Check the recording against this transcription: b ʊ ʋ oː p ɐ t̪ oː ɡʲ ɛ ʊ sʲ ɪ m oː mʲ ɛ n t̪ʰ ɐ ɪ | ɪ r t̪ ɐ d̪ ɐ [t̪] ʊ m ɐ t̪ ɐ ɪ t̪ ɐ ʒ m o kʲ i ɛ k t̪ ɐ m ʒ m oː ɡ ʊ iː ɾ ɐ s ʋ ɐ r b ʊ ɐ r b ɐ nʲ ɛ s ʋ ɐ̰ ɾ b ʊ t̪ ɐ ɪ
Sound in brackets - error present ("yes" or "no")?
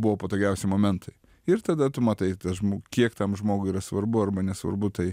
no